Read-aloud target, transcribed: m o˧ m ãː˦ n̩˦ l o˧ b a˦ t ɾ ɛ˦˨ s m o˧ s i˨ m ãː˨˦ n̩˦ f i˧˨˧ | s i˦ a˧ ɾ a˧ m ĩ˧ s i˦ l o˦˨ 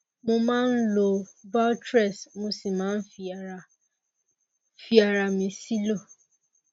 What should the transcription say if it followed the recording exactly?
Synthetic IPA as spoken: m o˧ m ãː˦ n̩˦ l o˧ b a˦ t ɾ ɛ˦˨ s m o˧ s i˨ m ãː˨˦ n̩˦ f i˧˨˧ | f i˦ a˧ ɾ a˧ m ĩ˧ s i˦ l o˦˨

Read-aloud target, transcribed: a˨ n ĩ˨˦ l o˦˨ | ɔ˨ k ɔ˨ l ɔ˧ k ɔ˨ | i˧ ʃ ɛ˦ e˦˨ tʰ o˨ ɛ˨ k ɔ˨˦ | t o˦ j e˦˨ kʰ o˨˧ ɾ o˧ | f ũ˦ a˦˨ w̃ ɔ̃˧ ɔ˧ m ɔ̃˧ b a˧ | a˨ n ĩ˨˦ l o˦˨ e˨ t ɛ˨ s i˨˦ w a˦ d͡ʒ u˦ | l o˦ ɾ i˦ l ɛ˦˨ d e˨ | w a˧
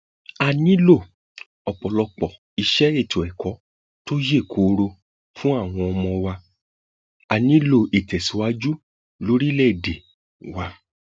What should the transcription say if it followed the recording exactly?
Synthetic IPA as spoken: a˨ n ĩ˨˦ l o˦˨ | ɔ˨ k͡p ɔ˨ l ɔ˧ k͡p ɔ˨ | i˧ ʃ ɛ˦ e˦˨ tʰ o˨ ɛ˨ k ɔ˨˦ | t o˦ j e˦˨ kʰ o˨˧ ɾ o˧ | f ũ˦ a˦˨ w̃ ɔ̃˧ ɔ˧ m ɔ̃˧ w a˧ | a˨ n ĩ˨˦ l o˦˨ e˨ t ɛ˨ s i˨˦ w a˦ d͡ʒ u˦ | l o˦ ɾ i˦ l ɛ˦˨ d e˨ | w a˧

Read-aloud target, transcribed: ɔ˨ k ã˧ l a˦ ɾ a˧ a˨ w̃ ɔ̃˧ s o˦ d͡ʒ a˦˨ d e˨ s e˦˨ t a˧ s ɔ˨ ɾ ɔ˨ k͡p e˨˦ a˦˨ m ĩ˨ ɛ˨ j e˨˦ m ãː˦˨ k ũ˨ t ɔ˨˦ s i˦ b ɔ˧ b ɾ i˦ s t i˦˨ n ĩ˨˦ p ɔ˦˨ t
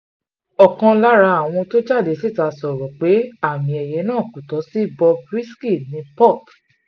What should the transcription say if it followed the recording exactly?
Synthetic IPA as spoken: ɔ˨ k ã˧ l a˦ ɾ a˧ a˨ w̃ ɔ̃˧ t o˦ d͡ʒ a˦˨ d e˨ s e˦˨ t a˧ s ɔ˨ ɾ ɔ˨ k͡p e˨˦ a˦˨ m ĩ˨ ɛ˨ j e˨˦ n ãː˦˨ k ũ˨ t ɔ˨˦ s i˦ b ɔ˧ b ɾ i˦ s k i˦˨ n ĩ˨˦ p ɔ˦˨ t

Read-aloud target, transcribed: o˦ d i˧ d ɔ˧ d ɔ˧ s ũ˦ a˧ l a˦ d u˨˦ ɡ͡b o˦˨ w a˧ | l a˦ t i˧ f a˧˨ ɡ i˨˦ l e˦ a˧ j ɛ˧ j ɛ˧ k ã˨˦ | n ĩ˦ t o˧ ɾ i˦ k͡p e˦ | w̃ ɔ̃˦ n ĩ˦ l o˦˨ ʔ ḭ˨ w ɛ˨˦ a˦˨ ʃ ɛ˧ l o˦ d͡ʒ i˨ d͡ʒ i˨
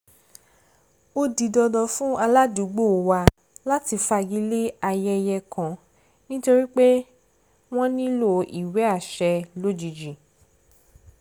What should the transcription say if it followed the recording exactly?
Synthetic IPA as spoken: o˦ d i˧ d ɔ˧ d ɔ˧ f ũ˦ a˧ l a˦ d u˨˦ ɡ͡b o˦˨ w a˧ | l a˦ t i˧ f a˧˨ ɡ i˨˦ l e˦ a˧ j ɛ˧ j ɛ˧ k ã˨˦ | n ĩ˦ t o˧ ɾ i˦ k͡p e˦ | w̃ ɔ̃˦ n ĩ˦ l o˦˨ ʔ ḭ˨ w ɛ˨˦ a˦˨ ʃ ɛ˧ l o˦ d͡ʒ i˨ d͡ʒ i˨

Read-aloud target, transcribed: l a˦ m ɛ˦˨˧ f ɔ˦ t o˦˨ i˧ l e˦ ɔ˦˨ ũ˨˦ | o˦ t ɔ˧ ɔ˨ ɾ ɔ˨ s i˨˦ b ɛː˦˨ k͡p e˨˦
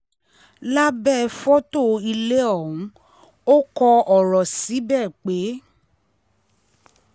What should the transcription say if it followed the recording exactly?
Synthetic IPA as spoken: l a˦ b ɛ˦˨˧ f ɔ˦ t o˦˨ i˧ l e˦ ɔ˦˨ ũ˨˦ | o˦ k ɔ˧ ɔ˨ ɾ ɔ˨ s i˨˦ b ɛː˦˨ k͡p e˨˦

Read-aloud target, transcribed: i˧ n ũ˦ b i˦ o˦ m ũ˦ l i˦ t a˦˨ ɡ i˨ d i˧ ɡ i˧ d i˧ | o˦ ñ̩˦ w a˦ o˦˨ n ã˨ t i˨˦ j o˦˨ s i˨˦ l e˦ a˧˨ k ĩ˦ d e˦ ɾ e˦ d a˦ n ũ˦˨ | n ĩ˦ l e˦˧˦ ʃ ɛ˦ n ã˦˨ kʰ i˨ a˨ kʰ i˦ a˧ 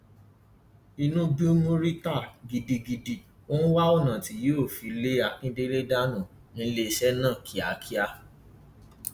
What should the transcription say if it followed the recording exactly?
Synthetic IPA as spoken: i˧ n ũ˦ b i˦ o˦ m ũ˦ ɾ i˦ t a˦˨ ɡ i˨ d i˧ ɡ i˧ d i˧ | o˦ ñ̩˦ w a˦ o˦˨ n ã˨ t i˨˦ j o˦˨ f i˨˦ l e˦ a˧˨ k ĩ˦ d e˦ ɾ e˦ d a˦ n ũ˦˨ | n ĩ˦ l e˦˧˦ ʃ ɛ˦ n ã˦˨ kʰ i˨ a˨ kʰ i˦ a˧

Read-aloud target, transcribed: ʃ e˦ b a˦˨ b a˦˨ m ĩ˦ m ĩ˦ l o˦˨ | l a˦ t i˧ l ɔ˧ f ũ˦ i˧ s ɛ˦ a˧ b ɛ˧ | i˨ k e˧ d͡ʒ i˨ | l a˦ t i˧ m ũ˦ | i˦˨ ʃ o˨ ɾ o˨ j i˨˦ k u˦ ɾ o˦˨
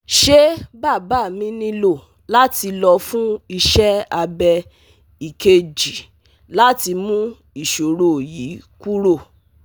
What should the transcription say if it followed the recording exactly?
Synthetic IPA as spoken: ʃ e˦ b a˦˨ b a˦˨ m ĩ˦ n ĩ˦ l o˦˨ | l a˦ t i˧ l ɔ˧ f ũ˦ i˧ ʃ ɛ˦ a˧ b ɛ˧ | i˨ k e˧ d͡ʒ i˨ | l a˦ t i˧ m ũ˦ | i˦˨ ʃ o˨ ɾ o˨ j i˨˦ k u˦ ɾ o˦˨

